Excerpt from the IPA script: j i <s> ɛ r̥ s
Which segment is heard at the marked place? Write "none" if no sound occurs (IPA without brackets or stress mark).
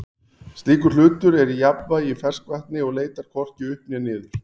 f